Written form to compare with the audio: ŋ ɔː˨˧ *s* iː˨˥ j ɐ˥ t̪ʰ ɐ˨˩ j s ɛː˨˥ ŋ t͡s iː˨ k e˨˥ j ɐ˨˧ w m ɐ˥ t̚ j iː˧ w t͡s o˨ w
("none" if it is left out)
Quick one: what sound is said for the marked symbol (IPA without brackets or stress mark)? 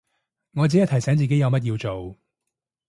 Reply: t͡s